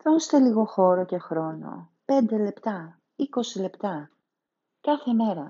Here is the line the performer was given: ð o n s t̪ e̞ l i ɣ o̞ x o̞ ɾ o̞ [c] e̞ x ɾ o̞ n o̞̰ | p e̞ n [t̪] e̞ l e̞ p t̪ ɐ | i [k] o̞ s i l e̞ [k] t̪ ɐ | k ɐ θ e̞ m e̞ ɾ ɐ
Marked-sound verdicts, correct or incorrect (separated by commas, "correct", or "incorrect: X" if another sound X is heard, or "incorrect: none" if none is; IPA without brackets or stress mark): correct, incorrect: d̪, correct, incorrect: p